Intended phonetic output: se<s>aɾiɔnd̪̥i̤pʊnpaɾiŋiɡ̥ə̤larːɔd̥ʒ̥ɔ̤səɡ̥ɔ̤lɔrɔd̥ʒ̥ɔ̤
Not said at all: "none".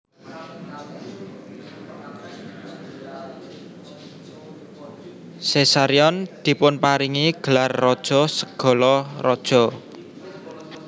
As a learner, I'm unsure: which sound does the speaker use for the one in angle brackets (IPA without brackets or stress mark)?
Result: s